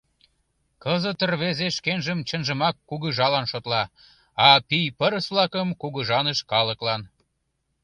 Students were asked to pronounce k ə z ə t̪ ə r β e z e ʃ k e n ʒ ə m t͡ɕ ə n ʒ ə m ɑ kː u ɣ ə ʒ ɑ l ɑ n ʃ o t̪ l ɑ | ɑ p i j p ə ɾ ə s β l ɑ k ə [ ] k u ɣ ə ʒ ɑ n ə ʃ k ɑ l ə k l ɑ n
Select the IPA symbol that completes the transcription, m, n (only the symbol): m